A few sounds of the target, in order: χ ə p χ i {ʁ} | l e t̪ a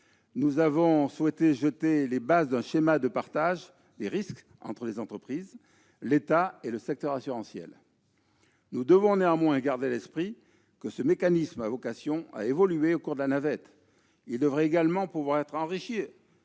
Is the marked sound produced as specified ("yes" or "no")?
no